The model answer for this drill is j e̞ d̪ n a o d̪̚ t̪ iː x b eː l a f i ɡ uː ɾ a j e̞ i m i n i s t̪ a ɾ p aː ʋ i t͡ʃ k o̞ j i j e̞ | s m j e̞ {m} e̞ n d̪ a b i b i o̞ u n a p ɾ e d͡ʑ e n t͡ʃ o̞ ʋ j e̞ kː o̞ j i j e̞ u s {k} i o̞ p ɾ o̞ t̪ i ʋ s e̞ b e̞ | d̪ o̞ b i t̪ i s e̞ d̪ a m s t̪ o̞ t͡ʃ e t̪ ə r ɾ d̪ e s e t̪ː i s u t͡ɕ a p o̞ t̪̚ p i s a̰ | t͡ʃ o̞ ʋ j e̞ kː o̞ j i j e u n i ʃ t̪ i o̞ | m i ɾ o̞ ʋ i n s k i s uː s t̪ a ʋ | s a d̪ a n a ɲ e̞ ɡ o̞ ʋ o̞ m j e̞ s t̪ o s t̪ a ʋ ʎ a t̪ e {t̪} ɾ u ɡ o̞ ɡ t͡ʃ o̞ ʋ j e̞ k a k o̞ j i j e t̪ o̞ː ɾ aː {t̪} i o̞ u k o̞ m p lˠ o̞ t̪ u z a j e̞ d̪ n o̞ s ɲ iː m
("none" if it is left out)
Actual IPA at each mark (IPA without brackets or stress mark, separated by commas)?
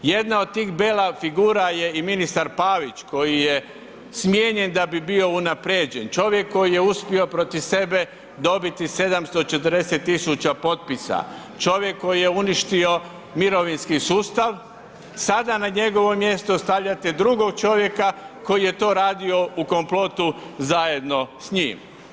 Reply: ɲ, p, d̪, d̪